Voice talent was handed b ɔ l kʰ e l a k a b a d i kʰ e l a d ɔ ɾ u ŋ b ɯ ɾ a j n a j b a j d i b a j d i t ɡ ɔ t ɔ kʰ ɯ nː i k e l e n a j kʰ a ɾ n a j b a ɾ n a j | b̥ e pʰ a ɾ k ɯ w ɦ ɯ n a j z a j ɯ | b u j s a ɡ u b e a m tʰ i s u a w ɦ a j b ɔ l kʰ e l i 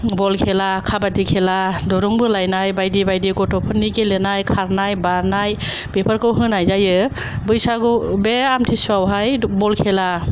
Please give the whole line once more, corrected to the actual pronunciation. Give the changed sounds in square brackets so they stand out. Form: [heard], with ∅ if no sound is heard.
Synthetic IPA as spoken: b ɔ l kʰ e l a [kʰ] a b a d i kʰ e l a d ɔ ɾ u ŋ b ɯ [l] a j n a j b a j d i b a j d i [∅] ɡ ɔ t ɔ [pʰ] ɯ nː i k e l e n a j kʰ a ɾ n a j b a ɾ n a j | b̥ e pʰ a ɾ k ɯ w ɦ ɯ n a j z a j ɯ | b [ɯ] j s a ɡ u b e a m tʰ i s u a w ɦ a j b ɔ l kʰ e l [a]